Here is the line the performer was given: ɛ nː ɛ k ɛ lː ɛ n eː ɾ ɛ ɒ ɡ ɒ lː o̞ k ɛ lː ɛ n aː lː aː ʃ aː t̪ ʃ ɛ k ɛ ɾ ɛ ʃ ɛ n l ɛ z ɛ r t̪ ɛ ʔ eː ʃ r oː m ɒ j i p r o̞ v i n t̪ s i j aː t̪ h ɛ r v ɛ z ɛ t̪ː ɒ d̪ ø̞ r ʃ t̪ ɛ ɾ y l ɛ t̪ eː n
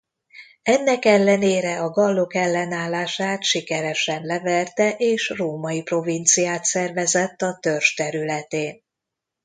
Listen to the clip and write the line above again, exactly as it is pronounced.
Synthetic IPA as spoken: ɛ nː ɛ k ɛ lː ɛ n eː ɾ ɛ ɒ ɡ ɒ lː o̞ k ɛ lː ɛ n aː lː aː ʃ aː t̪ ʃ i k ɛ ɾ ɛ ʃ ɛ n l ɛ v ɛ r t̪ ɛ ʔ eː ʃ r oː m ɒ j i p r o̞ v i n t̪ s i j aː t̪ s ɛ r v ɛ z ɛ t̪ː ɒ t̪ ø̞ r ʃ t̪ ɛ ɾ y l ɛ t̪ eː n